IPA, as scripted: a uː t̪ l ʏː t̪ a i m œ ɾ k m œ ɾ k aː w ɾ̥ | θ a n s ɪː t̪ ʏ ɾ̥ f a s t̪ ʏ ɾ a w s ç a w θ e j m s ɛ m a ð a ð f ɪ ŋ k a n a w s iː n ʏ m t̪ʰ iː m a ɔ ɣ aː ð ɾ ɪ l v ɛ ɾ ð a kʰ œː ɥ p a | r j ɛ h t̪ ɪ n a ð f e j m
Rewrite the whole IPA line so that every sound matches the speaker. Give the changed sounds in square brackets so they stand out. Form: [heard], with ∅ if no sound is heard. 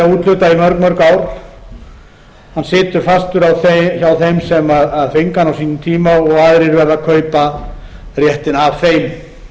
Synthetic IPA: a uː t̪ l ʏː t̪ a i m œ ɾ k m œ ɾ k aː w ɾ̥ | [h] a n s ɪː t̪ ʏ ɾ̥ f a s t̪ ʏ ɾ a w [θ] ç a w θ e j m s ɛ m a ð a ð f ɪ ŋ k a n a w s iː n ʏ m t̪ʰ iː m a ɔ ɣ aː ð ɾ ɪ [ɾ] v ɛ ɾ ð a kʰ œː ɥ p a | r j ɛ h t̪ ɪ n a [v] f e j m

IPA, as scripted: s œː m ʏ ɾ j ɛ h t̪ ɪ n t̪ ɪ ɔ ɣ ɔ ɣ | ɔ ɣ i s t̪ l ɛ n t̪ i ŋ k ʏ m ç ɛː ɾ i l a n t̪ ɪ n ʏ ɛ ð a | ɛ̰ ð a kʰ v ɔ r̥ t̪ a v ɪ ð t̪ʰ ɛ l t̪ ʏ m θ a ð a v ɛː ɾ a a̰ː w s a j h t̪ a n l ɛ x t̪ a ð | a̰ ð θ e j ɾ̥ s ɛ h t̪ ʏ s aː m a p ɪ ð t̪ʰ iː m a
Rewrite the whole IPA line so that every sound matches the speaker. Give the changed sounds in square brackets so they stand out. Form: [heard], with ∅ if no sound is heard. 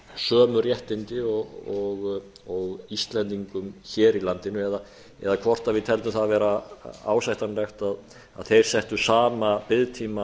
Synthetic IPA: s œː m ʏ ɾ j ɛ h t̪ ɪ n t̪ ɪ ɔ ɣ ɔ ɣ | ɔ ɣ i s t̪ l ɛ n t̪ i ŋ k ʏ m ç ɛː ɾ i l a n t̪ ɪ n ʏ ɛ ð a | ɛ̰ ð a kʰ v ɔ r̥ t̪ a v ɪ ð t̪ʰ ɛ l t̪ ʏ m θ a ð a v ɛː ɾ a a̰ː w s a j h t̪ a n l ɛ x t̪ a ð | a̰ ð θ e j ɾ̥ s ɛ h t̪ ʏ s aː m a p ɪ ð t̪ʰ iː m a

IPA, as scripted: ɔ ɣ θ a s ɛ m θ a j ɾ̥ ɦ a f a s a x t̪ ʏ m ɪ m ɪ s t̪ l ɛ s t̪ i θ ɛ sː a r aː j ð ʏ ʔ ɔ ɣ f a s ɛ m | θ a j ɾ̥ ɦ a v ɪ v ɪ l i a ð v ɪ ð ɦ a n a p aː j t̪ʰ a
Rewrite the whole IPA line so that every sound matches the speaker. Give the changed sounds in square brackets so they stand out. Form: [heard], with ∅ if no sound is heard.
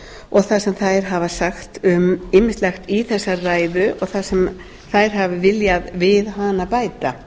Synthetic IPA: ɔ ɣ θ a s ɛ m θ a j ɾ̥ ɦ a [v] a s a x t̪ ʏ m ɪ m ɪ s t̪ l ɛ [x] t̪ i θ ɛ sː a r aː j ð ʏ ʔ ɔ ɣ [θ] a s ɛ m | θ a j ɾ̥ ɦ a v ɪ v ɪ l [j] a ð v ɪ ð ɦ a n a p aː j [t̪] a

